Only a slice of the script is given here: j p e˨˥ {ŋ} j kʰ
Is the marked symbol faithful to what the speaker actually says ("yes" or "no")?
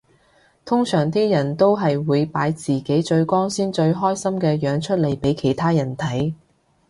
no